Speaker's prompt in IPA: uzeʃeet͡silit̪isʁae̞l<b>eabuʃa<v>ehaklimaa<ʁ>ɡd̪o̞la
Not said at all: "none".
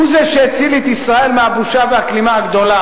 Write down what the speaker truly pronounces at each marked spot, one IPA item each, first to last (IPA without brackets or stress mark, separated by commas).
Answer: m, v, none